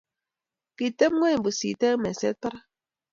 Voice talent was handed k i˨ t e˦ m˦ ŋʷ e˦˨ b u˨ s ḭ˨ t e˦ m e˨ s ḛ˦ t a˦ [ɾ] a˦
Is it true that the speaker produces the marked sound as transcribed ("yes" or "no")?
yes